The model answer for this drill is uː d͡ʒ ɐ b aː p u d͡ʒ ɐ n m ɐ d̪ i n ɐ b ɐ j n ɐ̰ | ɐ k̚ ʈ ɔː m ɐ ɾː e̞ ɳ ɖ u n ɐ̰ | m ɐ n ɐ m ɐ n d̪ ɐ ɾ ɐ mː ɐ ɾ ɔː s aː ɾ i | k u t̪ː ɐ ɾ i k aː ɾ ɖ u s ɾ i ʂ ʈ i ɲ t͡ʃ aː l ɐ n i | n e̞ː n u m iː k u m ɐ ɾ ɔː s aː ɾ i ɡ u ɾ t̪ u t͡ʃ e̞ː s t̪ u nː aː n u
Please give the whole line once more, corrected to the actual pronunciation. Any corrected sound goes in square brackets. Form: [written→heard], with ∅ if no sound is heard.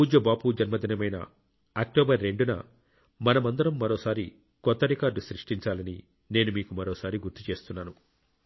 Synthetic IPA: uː d͡ʒ ɐ b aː p u d͡ʒ ɐ n m ɐ d̪ i n ɐ [b→m] ɐ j n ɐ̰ | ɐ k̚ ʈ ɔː [m→b] ɐ ɾː e̞ ɳ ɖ u n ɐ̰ | m ɐ n ɐ m ɐ n d̪ ɐ ɾ ɐ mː ɐ ɾ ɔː s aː ɾ i | k [u→ɔ] t̪ː ɐ ɾ i k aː ɾ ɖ u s ɾ i ʂ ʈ i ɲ t͡ʃ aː l ɐ n i | n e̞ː n u m iː k u m ɐ ɾ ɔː s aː ɾ i ɡ u ɾ t̪ u t͡ʃ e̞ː s t̪ u nː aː n u

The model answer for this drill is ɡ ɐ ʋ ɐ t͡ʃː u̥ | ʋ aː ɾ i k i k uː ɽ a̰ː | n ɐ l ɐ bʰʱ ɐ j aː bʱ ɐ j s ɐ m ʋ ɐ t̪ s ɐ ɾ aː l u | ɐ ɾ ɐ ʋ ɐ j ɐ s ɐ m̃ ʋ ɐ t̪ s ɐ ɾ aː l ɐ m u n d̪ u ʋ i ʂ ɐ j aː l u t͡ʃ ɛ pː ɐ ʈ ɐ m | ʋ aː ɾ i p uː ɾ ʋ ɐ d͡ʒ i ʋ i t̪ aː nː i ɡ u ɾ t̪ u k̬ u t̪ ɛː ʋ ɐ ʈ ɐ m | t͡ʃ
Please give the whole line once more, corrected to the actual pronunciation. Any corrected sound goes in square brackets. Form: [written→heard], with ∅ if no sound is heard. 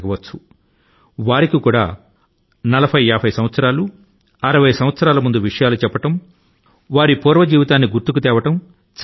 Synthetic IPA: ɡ ɐ ʋ ɐ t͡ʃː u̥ | ʋ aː ɾ i k i k uː ɽ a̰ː | n ɐ l ɐ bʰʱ ɐ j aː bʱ ɐ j s ɐ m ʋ ɐ t̪ s ɐ ɾ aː l u | ɐ ɾ ɐ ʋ ɐ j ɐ s ɐ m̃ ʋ ɐ t̪ s ɐ ɾ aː l ɐ m u n d̪ u ʋ i ʂ ɐ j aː l u t͡ʃ ɛ pː ɐ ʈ ɐ m | ʋ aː ɾ i p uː ɾ ʋ ɐ d͡ʒ [i→iː] ʋ i t̪ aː nː i ɡ u ɾ t̪ u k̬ u t̪ ɛː ʋ ɐ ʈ ɐ m | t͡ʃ

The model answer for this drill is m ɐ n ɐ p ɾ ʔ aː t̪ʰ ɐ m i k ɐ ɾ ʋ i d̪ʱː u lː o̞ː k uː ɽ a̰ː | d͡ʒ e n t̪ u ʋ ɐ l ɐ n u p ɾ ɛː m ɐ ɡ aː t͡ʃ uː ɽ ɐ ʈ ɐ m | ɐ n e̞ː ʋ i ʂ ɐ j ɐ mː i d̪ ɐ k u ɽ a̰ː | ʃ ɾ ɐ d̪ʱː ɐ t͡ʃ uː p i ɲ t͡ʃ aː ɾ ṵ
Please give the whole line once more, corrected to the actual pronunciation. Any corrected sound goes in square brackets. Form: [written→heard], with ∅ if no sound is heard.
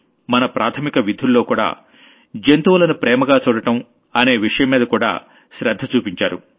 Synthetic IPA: m ɐ n ɐ p ɾ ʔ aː t̪ʰ ɐ m i k ɐ [ɾ→∅] ʋ i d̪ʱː u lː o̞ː k uː ɽ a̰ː | d͡ʒ e n t̪ u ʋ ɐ l ɐ n u p ɾ ɛː m ɐ ɡ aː t͡ʃ uː ɽ ɐ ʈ ɐ m | ɐ n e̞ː ʋ i ʂ ɐ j ɐ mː [i→iː] d̪ ɐ k [u→uː] ɽ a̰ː | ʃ ɾ ɐ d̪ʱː ɐ t͡ʃ uː p i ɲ t͡ʃ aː ɾ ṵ

